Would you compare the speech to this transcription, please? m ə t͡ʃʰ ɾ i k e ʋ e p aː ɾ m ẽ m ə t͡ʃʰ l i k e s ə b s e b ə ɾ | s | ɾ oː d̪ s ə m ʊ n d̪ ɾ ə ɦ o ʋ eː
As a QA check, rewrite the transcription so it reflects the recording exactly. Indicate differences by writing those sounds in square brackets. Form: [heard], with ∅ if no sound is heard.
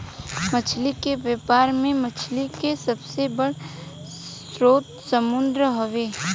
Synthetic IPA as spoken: m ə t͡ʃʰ [l] i k e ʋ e p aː ɾ m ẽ m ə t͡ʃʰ l i k e s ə b s e b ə [ɽ] | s | ɾ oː [t̪] s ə m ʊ n d̪ ɾ ə ɦ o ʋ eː